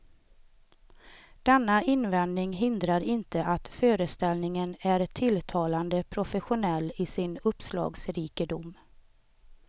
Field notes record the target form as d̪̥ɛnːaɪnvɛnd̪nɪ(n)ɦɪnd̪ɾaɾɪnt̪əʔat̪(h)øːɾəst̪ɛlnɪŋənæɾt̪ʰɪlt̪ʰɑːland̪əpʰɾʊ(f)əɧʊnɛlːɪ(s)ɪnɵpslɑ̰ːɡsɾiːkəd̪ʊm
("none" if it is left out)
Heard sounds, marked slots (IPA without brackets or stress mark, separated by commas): ŋ, f, f, s